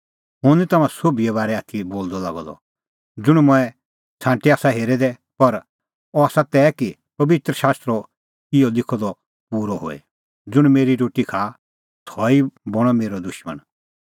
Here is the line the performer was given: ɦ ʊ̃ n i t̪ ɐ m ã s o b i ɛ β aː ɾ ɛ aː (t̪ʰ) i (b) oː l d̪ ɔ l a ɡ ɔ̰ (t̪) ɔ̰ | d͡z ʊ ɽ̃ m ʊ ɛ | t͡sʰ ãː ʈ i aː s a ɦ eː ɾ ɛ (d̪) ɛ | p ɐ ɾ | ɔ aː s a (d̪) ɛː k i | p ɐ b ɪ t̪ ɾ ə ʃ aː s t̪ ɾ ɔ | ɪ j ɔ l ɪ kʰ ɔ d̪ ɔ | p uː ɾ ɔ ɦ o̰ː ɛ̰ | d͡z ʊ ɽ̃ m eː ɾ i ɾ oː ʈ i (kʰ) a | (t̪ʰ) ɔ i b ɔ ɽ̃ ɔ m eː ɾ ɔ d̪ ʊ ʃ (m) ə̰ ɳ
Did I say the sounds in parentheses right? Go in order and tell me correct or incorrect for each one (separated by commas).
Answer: correct, correct, incorrect, correct, incorrect, correct, correct, correct